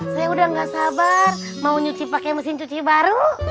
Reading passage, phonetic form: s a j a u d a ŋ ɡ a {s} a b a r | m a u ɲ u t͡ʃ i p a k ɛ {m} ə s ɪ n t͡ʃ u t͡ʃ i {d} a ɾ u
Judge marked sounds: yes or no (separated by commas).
yes, yes, no